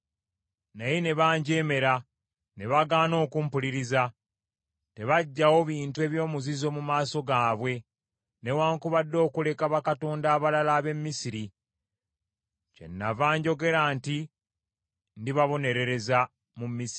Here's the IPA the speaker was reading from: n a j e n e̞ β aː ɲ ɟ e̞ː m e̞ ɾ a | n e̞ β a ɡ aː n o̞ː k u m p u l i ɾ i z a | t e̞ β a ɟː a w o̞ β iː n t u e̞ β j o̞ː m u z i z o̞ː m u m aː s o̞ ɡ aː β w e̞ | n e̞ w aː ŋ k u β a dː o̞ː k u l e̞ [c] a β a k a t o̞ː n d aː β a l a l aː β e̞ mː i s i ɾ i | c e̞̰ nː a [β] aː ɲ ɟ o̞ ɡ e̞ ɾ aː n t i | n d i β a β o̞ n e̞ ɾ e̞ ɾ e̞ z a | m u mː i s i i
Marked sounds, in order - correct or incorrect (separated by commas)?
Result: incorrect, incorrect